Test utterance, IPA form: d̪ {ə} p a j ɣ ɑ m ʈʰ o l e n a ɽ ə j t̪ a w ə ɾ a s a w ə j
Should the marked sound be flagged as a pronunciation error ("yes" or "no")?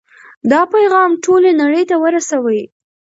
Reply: yes